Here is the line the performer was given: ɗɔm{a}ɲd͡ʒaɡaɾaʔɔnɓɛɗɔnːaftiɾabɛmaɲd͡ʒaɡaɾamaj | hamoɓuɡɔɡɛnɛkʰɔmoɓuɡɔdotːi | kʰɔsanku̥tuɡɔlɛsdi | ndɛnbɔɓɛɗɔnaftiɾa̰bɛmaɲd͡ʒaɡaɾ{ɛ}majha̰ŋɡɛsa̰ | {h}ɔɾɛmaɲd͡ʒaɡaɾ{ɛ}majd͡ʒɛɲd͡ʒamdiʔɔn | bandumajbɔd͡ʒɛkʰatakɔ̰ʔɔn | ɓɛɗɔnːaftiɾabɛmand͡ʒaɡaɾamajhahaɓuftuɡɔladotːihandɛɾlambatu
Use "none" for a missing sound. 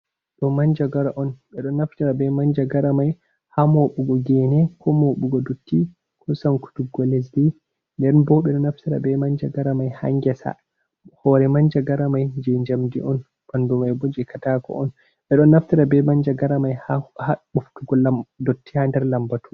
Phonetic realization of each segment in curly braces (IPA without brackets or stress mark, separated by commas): a, a, h, a